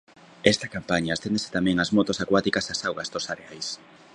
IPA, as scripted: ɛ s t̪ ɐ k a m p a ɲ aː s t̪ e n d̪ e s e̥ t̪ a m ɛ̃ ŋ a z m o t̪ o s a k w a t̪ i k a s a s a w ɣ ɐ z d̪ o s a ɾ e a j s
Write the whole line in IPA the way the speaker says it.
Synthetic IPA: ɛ s t̪ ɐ k a m p a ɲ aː s t̪ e n d̪ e s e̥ t̪ a m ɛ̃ ŋ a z m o t̪ o s a k w a t̪ i k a s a s a w ɣ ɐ z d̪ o s a ɾ e a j s